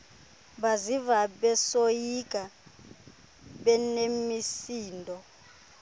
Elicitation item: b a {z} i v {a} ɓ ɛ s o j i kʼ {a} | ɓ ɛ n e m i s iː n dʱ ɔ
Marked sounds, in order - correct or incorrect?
correct, correct, correct

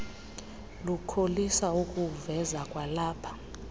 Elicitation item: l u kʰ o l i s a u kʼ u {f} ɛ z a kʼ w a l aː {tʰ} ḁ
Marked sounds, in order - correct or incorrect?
incorrect: v, incorrect: pʰ

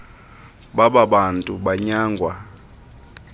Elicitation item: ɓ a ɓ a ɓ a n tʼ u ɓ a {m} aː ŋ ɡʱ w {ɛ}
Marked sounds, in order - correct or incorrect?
incorrect: ɲ, incorrect: a

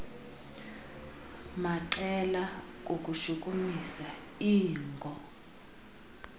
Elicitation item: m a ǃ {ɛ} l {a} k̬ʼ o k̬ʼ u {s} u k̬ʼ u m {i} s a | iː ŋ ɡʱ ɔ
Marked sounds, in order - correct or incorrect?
correct, correct, incorrect: ʃ, correct

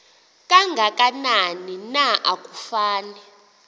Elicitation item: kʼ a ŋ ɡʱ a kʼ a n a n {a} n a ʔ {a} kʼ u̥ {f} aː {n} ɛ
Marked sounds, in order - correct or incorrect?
incorrect: i, correct, correct, correct

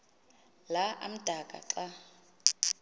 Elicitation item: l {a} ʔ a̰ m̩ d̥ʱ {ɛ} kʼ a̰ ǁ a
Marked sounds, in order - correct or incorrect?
correct, incorrect: a

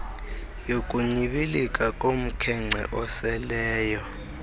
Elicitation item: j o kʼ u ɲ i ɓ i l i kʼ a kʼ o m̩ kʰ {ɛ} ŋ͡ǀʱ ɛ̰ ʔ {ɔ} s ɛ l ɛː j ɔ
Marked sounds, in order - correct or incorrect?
correct, correct

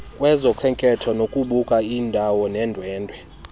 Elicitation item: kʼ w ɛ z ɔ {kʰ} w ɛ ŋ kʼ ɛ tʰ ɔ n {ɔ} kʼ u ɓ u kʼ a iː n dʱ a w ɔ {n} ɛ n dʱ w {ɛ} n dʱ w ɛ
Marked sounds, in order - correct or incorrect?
correct, incorrect: o, correct, incorrect: ɛː

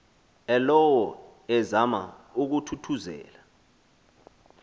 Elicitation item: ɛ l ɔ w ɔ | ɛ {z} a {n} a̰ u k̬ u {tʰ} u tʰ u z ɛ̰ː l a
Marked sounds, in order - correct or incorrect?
correct, incorrect: m, correct

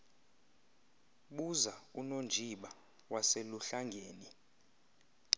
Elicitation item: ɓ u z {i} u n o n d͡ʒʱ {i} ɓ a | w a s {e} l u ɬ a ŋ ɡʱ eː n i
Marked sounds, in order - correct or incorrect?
incorrect: a, correct, correct

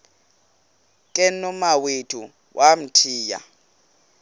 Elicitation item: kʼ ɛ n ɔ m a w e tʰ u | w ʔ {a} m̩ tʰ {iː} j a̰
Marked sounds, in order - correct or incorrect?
correct, correct

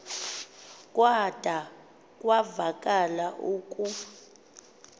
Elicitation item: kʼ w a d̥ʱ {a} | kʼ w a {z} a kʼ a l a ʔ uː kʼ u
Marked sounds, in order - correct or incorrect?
correct, incorrect: v

